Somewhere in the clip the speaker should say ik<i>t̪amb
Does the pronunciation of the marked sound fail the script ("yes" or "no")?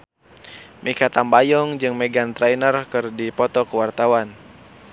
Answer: yes